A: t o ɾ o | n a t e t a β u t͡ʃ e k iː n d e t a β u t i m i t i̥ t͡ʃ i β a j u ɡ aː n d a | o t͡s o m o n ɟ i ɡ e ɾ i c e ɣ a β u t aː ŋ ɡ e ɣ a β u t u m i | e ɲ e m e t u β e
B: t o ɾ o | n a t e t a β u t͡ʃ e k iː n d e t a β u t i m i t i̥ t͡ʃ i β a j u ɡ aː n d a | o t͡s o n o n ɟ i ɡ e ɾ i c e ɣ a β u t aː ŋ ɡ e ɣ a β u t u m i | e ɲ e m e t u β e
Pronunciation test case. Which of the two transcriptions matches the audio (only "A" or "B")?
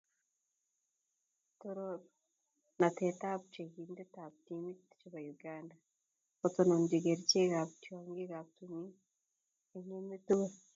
B